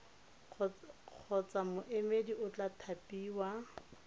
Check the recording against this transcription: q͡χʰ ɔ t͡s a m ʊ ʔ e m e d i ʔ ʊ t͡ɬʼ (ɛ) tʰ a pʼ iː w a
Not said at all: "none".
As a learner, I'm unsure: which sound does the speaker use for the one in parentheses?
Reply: a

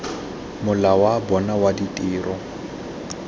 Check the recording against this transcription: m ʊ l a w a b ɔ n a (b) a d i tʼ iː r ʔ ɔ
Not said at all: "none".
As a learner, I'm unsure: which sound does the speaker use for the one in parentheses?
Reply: w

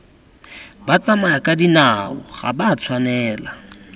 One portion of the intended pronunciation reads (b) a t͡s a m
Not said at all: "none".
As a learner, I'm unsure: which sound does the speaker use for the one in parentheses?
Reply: b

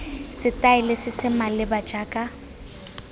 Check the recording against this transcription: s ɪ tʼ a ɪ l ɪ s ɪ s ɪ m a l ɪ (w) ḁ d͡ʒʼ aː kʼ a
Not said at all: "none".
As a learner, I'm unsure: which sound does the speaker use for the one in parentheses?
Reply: b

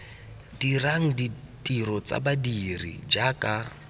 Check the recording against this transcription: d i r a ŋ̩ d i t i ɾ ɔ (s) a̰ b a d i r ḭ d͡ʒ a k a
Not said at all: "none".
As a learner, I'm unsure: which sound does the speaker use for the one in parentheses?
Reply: t͡s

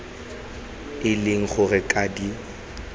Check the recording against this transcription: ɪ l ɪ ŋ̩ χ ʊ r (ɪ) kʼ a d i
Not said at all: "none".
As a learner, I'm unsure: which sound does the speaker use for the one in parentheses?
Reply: ɪ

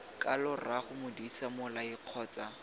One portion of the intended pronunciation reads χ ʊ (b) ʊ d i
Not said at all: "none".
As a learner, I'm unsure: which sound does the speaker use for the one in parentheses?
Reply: m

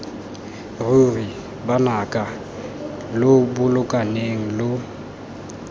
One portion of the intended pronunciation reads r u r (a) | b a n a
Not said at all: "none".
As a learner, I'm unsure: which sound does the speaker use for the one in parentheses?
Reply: i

